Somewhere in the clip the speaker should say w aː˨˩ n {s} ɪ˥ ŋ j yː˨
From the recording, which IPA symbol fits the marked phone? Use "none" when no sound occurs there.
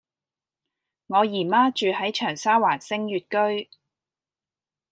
s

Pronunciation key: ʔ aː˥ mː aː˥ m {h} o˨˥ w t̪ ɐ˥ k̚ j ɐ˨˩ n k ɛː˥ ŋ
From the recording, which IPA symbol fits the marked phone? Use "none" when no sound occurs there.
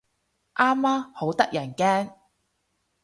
h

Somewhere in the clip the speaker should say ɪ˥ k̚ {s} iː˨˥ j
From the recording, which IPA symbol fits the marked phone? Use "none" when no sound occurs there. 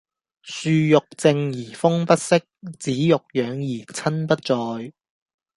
t͡s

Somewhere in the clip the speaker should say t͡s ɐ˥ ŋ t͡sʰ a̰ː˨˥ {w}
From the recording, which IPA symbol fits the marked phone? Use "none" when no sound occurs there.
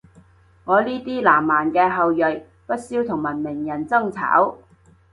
w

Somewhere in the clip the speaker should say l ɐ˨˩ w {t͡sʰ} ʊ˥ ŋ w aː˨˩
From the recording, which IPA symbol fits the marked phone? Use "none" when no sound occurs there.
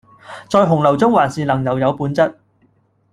t͡s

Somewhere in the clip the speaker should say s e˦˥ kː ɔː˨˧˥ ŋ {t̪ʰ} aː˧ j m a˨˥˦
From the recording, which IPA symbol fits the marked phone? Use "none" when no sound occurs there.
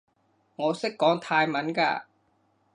t̪ʰ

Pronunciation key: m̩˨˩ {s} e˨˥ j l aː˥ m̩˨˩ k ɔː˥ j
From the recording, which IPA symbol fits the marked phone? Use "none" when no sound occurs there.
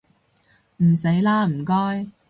s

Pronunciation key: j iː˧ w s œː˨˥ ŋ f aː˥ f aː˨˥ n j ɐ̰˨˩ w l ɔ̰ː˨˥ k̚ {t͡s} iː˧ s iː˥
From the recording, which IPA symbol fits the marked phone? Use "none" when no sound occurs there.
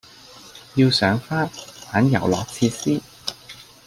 t͡sʰ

